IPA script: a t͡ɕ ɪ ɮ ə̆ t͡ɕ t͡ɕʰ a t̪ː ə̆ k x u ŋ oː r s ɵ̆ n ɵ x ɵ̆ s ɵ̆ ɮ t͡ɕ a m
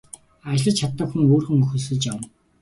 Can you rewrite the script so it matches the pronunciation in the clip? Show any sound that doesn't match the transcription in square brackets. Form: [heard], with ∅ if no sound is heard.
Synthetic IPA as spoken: a t͡ɕ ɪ ɮ ə̆ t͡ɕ t͡ɕʰ a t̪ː ə̆ k x u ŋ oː r [x] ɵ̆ [ŋ] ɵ x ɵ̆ s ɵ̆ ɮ t͡ɕ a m